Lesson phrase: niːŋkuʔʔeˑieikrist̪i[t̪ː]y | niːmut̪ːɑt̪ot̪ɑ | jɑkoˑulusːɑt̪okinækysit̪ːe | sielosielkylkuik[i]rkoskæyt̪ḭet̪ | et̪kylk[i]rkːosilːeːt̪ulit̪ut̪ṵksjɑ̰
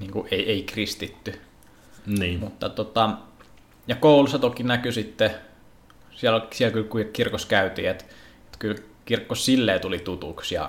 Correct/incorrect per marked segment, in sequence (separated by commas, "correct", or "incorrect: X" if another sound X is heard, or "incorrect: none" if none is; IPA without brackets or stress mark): correct, correct, correct